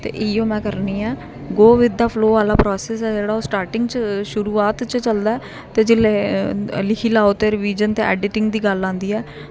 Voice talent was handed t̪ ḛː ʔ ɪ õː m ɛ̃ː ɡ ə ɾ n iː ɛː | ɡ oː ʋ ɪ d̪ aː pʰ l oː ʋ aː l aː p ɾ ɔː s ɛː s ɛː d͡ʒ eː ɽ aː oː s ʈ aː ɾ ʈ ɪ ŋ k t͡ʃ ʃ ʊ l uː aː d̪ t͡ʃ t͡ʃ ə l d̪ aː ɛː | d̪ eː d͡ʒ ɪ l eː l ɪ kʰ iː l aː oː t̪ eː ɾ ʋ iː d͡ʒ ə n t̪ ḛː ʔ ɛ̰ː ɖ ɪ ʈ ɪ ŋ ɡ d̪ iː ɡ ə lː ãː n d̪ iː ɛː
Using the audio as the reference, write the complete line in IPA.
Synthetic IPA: t̪ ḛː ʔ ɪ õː m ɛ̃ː k ə ɾ n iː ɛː | ɡ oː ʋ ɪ d̪ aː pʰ l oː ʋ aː l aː p ɾ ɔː s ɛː s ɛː d͡ʒ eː ɽ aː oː s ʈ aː ɾ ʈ ɪ ŋ ɡ t͡ʃ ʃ ʊ ɾ uː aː t̪ t͡ʃ t͡ʃ ə l d̪ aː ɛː | t̪ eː d͡ʒ ɪ l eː l ɪ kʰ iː l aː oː t̪ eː ɾ ʋ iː d͡ʒ ə n t̪ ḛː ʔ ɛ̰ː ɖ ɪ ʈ ɪ ŋ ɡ d̪ iː ɡ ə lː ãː n d̪ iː ɛː